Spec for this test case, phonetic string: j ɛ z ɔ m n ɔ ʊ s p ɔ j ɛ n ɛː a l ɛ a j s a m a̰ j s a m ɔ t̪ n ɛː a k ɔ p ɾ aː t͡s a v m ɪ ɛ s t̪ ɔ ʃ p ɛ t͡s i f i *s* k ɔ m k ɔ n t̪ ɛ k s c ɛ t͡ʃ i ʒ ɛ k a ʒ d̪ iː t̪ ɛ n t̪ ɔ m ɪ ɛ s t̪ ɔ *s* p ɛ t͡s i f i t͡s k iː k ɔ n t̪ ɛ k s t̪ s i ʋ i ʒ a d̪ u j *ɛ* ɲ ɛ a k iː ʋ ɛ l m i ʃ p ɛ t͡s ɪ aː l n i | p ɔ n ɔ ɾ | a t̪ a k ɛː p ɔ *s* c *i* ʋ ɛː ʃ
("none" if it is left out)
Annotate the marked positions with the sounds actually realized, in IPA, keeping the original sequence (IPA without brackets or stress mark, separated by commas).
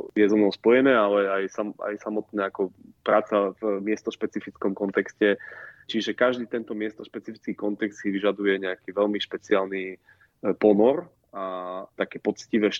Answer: t͡s, ʃ, ɛ, t͡s, i